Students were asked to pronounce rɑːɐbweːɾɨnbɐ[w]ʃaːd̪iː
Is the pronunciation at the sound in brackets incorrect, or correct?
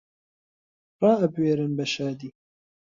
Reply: incorrect